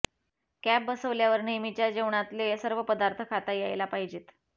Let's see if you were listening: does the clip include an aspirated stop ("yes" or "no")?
yes